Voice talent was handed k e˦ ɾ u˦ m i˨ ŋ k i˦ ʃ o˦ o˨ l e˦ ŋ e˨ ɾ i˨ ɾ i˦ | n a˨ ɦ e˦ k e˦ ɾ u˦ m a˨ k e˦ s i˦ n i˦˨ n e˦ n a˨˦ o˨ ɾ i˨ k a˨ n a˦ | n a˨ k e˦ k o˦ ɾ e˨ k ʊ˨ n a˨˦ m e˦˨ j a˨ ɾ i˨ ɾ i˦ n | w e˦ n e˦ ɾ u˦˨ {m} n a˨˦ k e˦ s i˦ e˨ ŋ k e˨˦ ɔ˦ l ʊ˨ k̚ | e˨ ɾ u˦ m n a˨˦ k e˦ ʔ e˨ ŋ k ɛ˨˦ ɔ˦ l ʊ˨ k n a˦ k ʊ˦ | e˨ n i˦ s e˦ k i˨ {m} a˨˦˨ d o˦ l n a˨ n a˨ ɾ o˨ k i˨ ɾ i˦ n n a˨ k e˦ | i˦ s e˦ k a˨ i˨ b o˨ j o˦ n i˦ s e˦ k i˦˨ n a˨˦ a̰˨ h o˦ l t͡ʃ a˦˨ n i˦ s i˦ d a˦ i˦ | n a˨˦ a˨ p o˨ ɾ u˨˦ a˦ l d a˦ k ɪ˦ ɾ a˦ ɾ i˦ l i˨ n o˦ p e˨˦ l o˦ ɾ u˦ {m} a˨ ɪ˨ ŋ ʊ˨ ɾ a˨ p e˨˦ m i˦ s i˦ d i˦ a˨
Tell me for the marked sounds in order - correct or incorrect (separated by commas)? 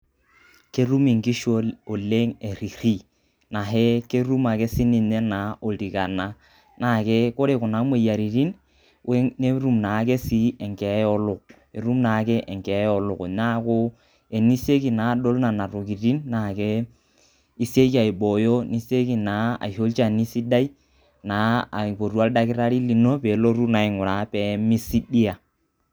correct, incorrect, incorrect